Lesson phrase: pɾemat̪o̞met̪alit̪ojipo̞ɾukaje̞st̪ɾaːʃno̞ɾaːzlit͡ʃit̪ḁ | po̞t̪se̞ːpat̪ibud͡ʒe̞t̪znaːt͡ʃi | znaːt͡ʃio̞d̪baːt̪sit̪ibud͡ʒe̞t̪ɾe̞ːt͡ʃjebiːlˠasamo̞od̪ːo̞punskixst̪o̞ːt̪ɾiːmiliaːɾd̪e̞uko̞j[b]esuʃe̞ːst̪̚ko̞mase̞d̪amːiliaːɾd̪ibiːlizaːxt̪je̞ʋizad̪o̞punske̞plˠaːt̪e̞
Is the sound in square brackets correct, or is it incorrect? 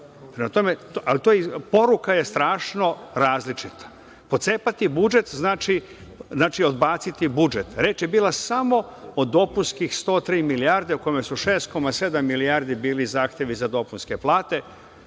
incorrect